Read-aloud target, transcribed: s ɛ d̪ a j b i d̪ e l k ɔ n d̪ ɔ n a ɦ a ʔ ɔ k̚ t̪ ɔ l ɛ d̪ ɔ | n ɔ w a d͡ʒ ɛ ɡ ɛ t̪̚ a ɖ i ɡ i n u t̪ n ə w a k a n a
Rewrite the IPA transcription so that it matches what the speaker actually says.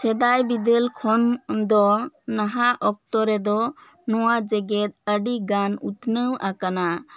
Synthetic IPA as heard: s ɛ d̪ a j b i d̪ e l kʰ ɔ n d̪ ɔ n a ɦ a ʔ ɔ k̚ t̪ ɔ ɾ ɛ d̪ ɔ | n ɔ w a d͡ʒ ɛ ɡ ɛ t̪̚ ə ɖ i ɡ a n u t̪ n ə w a k a n a